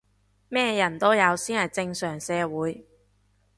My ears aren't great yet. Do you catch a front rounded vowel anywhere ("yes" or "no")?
yes